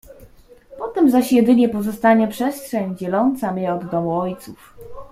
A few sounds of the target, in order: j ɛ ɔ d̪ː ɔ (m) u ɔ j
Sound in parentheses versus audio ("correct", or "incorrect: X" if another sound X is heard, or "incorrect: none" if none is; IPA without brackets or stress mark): correct